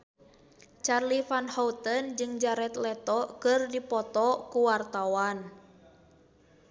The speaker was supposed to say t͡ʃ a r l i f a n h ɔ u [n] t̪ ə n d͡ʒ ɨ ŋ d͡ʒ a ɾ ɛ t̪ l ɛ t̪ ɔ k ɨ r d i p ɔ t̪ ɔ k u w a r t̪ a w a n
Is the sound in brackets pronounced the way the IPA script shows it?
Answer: no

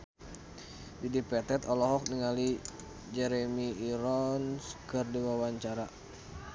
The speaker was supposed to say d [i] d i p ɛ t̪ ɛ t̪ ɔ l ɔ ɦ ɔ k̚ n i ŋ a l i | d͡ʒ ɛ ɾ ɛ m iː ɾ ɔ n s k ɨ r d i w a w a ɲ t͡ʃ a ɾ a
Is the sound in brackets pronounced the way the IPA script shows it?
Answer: yes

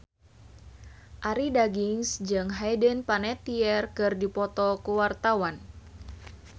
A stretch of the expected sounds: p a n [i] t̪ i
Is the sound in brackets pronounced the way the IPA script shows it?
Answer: no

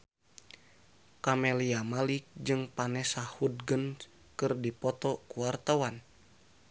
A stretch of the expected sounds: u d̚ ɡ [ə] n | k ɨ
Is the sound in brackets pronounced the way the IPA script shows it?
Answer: yes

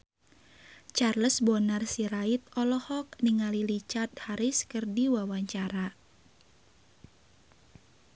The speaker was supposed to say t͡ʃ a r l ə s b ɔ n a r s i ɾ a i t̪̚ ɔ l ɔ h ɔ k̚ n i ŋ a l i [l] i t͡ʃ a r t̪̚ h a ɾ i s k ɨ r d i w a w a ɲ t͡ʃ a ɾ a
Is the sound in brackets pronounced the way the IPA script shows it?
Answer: yes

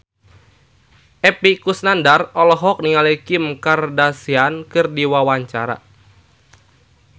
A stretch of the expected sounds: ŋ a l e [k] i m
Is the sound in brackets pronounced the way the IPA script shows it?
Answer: yes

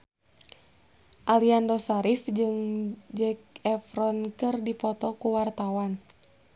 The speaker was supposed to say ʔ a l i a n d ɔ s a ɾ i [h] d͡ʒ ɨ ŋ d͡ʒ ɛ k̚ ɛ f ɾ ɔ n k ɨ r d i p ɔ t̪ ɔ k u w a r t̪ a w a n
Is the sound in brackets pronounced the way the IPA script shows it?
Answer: no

